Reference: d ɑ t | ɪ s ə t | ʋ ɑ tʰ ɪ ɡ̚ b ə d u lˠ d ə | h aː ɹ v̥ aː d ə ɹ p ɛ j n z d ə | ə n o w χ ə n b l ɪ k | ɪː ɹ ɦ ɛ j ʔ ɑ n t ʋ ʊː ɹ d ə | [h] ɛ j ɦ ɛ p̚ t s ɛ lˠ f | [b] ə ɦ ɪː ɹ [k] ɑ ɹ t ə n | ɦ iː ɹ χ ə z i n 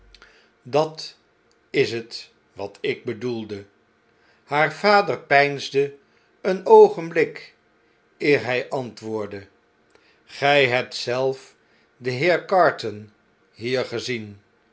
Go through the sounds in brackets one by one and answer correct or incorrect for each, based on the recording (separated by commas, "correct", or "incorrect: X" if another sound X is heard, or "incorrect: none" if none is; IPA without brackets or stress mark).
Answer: incorrect: χ, incorrect: d, correct